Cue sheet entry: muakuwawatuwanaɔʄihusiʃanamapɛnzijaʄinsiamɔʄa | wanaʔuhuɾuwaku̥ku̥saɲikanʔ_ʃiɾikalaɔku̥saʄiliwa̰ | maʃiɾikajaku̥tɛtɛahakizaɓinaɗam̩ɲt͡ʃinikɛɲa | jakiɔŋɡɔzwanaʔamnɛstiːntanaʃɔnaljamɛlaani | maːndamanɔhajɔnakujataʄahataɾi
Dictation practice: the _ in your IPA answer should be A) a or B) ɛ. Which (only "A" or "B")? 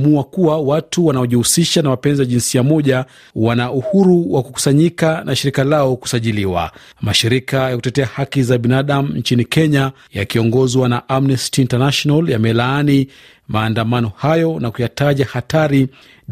A